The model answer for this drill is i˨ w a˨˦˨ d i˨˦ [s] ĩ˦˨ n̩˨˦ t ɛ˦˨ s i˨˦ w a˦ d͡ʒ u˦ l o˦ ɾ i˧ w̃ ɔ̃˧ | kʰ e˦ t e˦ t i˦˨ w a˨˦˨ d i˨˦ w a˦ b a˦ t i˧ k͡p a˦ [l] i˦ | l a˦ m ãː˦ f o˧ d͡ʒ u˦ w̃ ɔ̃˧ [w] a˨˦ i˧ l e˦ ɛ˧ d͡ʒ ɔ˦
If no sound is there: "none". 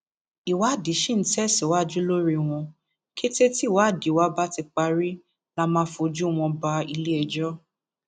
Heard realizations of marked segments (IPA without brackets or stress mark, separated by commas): ʃ, ɾ, b